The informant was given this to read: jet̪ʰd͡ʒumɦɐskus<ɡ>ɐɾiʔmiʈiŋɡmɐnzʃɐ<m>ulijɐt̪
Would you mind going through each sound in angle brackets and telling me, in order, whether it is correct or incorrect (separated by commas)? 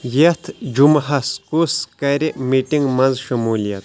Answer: incorrect, correct